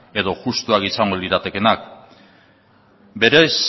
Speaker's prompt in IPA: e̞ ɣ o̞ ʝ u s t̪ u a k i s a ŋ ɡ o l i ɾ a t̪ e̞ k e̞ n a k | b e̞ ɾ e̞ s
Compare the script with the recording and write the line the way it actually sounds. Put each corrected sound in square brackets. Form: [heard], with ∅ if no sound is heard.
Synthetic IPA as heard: e̞ [ð] o̞ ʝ u s t̪ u a k i s a ŋ ɡ o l i ɾ a t̪ e̞ k e̞ n a k | b e̞ ɾ e̞ s